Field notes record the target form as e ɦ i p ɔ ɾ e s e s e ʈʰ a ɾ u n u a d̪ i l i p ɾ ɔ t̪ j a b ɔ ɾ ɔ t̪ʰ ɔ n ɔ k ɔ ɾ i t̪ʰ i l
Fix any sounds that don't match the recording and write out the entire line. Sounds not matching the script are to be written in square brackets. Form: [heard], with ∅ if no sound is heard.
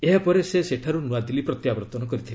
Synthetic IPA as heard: e ɦ [a] p ɔ ɾ e s e s e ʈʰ a ɾ u n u a d̪ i l i p ɾ ɔ t̪ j a b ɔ ɾ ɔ [t̪] ɔ n ɔ k ɔ ɾ i t̪ʰ i l